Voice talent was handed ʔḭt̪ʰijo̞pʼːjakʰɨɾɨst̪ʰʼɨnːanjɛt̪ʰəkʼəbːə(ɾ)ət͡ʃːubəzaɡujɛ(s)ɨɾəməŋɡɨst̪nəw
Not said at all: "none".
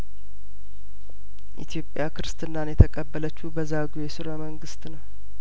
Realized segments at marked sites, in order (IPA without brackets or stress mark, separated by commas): l, s